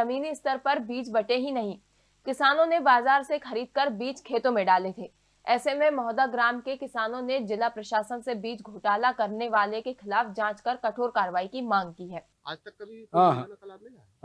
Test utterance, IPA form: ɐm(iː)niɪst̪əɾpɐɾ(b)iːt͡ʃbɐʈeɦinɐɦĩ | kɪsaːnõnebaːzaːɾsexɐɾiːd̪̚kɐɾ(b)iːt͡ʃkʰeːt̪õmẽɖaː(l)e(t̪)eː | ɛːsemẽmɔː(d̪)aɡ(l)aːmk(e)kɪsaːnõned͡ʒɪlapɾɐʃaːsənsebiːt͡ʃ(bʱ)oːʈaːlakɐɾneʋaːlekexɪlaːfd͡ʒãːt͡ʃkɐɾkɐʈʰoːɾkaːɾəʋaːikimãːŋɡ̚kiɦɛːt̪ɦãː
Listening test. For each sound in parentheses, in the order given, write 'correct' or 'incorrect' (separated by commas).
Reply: correct, correct, correct, correct, incorrect, correct, incorrect, correct, incorrect